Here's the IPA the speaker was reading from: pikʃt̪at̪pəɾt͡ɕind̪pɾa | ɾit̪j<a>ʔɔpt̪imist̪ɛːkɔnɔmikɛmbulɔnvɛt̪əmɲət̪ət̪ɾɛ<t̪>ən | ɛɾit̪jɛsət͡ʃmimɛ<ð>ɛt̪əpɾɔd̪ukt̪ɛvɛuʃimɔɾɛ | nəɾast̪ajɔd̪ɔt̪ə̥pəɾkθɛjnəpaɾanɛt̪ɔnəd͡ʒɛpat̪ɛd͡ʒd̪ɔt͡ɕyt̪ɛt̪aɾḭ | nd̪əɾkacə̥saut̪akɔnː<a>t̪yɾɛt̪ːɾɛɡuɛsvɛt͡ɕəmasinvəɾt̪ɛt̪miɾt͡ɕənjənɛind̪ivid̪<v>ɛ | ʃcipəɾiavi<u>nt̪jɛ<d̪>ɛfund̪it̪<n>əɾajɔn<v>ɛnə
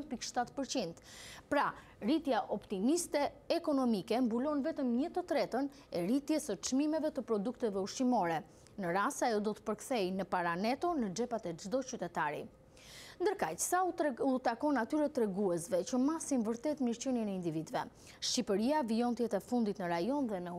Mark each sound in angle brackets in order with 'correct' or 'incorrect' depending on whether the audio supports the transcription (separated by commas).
correct, correct, incorrect, correct, correct, incorrect, incorrect, correct, incorrect